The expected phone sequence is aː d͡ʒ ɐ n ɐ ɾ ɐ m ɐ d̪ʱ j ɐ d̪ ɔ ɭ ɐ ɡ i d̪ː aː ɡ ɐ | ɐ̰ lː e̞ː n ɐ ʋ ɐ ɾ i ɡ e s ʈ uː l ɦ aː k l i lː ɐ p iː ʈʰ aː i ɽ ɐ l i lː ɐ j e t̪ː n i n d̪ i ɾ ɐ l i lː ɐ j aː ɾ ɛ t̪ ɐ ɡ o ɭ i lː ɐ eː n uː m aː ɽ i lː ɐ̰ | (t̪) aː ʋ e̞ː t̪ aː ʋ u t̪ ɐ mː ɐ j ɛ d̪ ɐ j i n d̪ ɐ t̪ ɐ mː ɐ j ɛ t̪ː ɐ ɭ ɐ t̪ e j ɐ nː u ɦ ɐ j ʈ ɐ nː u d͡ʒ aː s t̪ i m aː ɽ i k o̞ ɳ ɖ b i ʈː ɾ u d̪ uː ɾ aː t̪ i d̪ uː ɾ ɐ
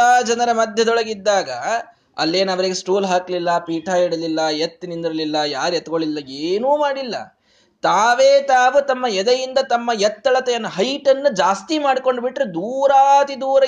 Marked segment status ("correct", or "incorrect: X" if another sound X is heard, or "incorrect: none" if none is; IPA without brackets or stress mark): correct